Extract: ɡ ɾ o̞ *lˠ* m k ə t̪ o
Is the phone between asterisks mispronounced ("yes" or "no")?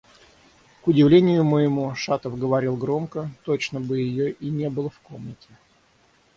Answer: yes